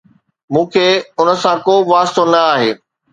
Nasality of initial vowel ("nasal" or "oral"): nasal